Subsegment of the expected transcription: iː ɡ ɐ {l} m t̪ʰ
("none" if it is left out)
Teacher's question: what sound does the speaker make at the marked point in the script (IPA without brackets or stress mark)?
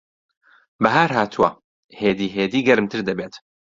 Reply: ɾ